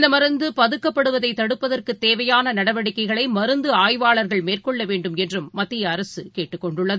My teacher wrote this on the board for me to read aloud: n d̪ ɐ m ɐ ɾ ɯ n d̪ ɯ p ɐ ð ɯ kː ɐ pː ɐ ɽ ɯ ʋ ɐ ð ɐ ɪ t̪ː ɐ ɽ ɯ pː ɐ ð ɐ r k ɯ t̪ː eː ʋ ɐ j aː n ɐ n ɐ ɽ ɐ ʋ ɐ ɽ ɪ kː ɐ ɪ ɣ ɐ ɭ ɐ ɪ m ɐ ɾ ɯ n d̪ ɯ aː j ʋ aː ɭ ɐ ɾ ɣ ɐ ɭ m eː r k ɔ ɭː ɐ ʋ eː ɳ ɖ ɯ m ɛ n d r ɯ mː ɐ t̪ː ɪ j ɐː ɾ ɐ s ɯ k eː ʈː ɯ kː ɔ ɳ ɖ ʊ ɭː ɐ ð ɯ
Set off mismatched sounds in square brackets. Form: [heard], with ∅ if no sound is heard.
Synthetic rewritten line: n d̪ ɐ m ɐ ɾ ɯ n d̪ ɯ p ɐ ð ɯ kː ɐ pː ɐ ɽ ɯ ʋ ɐ ð ɐ ɪ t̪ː ɐ ɽ ɯ pː ɐ ð ɐ r k ɯ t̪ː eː ʋ ɐ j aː n ɐ n ɐ ɽ ɐ ʋ ɐ ɽ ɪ kː ɐ ɪ ɣ ɐ ɭ ɐ ɪ m ɐ ɾ ɯ n d̪ ɯ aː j ʋ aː ɭ ɐ ɾ ɣ ɐ ɭ m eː r k ɔ ɭː ɐ ʋ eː ɳ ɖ ɯ m ɛ n d r ɯ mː ɐ t̪ː ɪ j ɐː ɾ ɐ s ɯ k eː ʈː ɯ kː ɔ ɳ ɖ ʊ ɭː ɐ ð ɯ